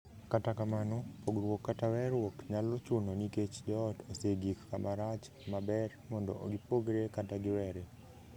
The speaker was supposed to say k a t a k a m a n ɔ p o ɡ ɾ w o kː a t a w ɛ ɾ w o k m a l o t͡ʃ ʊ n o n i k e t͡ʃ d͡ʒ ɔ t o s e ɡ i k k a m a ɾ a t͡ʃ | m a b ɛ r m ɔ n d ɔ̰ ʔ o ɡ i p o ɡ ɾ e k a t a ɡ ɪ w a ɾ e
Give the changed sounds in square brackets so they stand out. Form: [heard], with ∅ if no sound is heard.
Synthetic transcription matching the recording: k a t a k a m a n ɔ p o ɡ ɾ w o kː a t a w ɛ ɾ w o k [ɲ] a l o t͡ʃ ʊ n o n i k e t͡ʃ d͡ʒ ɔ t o s e ɡ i k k a m a ɾ a t͡ʃ | m a b ɛ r m ɔ n d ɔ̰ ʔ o ɡ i p o ɡ ɾ e k a t a ɡ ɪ w [ɛ] ɾ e